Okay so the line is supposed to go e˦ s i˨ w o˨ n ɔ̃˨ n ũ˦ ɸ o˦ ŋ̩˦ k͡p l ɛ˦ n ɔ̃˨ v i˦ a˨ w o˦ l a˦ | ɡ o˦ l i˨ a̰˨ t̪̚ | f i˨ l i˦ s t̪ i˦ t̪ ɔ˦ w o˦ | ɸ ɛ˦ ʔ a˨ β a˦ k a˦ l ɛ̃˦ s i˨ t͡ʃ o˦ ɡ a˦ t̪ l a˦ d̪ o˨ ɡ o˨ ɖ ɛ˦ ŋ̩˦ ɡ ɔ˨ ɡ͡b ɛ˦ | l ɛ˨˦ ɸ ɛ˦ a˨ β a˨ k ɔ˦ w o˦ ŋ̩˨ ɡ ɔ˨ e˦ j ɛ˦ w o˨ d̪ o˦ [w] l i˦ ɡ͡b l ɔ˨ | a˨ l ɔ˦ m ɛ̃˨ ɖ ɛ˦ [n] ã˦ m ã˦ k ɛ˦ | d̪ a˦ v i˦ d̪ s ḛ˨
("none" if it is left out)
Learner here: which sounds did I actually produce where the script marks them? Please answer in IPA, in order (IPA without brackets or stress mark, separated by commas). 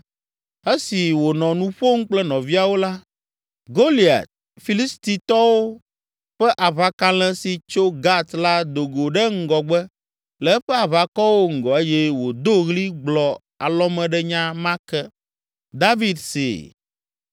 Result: ɣ, ɲ